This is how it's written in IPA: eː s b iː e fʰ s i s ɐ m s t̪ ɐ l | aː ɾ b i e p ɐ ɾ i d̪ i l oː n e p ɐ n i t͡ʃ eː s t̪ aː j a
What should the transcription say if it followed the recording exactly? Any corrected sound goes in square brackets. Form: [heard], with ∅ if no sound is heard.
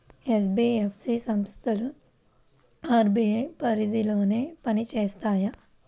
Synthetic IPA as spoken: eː s b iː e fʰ s i s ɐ m s t̪ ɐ l | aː ɾ b i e p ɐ ɾ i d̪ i l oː n e p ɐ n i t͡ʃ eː s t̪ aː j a